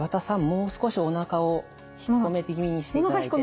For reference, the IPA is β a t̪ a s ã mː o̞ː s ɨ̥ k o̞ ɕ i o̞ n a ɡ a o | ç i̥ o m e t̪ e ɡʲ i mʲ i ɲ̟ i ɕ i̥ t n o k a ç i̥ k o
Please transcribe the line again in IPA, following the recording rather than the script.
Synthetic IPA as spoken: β a t̪ a s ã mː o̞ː s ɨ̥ k o̞ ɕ i o̞ n a k a o | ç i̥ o m e t̪ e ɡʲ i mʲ i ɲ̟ i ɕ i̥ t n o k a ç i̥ k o